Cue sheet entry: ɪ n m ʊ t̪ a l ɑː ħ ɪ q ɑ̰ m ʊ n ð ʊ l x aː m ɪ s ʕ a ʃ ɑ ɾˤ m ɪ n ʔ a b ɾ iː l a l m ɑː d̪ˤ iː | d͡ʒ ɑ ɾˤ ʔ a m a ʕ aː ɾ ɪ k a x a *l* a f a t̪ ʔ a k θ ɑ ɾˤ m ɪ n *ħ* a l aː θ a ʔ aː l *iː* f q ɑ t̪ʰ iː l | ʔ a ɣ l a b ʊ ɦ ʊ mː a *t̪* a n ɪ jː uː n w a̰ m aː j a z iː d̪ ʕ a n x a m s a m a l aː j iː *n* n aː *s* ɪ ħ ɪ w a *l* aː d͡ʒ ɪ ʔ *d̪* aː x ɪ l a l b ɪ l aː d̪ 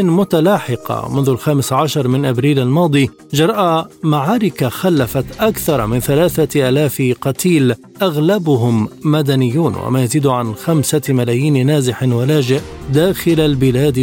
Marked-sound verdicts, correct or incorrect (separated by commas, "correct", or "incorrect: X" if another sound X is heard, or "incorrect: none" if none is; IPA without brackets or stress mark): incorrect: lː, incorrect: θ, incorrect: aː, incorrect: d̪, correct, incorrect: z, correct, correct